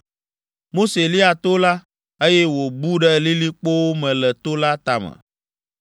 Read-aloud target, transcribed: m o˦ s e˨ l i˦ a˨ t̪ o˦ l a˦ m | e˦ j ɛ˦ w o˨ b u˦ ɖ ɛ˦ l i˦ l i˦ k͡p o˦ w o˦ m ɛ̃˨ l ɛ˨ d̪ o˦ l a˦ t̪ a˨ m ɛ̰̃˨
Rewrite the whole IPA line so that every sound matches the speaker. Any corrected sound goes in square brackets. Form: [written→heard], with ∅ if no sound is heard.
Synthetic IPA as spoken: m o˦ s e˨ l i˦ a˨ t̪ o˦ l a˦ [m→∅] | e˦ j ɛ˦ w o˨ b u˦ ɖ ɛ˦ l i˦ l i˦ k͡p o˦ w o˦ m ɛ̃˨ l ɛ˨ [d̪→t̪] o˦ l a˦ t̪ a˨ m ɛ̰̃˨